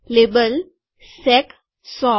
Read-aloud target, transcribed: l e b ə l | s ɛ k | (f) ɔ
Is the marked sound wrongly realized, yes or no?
yes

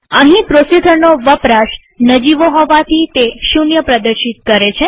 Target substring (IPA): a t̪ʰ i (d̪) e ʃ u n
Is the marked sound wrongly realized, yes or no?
yes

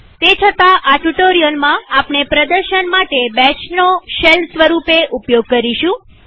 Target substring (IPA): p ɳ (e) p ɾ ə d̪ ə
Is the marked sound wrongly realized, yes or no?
no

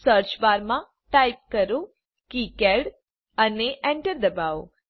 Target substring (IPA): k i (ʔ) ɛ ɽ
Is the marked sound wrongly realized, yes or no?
yes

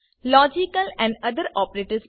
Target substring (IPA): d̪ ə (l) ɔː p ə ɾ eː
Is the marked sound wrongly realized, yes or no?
yes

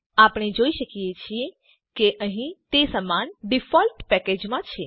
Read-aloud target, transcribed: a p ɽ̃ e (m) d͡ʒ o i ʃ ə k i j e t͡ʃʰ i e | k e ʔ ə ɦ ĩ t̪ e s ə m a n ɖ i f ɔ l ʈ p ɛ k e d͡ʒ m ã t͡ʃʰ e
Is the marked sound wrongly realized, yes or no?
yes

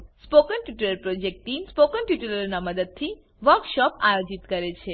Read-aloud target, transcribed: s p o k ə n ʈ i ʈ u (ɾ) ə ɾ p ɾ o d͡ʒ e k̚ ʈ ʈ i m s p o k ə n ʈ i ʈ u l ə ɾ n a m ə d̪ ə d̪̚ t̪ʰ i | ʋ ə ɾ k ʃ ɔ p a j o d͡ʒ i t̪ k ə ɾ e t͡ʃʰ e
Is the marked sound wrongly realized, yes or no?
yes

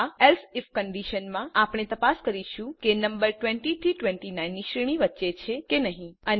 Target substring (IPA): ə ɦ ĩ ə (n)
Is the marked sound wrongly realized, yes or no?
no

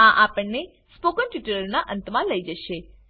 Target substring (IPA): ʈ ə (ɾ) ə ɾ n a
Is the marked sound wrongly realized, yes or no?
yes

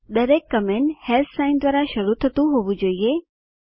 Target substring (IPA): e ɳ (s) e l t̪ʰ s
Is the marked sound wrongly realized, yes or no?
yes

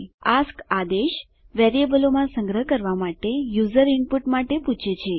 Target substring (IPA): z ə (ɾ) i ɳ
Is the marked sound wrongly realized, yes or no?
no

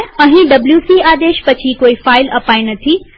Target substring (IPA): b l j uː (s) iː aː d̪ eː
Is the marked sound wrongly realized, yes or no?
no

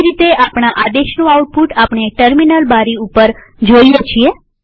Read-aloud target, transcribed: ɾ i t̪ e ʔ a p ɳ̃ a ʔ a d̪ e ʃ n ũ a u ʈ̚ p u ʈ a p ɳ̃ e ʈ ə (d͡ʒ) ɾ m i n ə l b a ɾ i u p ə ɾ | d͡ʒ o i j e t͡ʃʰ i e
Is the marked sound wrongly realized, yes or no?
yes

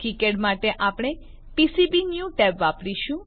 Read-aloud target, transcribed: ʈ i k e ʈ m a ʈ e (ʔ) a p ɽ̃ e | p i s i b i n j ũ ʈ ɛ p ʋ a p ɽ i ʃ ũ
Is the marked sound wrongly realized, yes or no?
no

